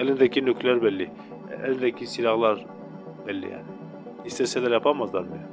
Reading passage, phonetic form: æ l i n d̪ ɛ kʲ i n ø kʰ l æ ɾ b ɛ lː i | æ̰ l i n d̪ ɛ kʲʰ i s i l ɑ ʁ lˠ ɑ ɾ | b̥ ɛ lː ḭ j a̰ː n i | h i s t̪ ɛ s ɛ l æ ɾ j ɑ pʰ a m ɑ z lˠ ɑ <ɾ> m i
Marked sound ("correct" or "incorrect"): correct